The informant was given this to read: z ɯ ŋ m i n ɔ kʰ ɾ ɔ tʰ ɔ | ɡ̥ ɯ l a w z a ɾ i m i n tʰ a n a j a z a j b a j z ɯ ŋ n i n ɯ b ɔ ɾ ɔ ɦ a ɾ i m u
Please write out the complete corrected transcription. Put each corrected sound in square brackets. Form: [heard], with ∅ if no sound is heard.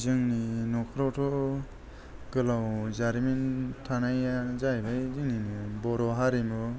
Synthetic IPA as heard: z ɯ ŋ [n] i n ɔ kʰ ɾ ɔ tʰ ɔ | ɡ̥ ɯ l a w z a ɾ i m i n tʰ a n a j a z a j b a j z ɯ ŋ n i n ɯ b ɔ ɾ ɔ ɦ a ɾ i m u